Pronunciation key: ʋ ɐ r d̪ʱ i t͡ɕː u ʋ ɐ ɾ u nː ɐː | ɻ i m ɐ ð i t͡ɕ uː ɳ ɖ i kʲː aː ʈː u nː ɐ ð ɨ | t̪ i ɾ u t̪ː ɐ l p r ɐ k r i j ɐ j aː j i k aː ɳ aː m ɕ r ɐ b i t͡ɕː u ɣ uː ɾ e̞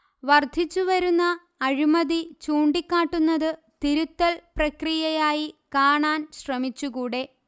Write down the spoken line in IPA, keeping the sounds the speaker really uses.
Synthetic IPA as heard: ʋ ɐ r d̪ʱ i t͡ɕː u ʋ ɐ ɾ u nː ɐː | ɻ i m ɐ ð i t͡ɕ uː ɳ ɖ i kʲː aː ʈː u nː ɐ ð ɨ | t̪ i ɾ u t̪ː ɐ l p r ɐ k r i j ɐ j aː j i k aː ɳ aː n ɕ r ɐ m i t͡ɕː u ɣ uː ɽ e̞